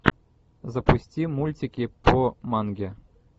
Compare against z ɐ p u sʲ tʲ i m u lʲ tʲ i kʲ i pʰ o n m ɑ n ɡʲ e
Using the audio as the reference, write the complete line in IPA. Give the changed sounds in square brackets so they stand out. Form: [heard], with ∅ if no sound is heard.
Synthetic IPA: z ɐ p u sʲ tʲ i m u lʲ tʲ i kʲ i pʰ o [∅] m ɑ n ɡʲ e